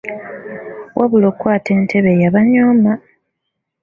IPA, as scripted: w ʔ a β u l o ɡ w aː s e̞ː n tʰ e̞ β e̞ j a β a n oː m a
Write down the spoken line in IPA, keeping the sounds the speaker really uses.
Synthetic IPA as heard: w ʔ a β u l o k w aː t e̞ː n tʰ e̞ β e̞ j a β a ɲ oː m a